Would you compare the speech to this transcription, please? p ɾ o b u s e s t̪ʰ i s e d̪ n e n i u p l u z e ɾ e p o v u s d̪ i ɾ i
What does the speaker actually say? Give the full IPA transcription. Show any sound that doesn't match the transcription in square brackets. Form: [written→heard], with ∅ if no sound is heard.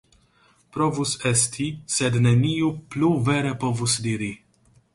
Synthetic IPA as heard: p ɾ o [b→v] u s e s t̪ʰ i s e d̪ n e n i u p l u [z→v] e ɾ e p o v u s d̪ i ɾ i